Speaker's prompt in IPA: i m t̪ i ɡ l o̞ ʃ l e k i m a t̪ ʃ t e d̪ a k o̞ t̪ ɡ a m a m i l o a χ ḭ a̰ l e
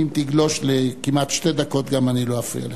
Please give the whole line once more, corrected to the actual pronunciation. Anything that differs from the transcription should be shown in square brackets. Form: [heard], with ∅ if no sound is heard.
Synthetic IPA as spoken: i m t̪ i ɡ l o̞ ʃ l e k i m a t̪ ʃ t e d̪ a k o̞ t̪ ɡ a m a [n] i l o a [f] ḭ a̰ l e